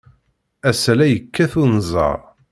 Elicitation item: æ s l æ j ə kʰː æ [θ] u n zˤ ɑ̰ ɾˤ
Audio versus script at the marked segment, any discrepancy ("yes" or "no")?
no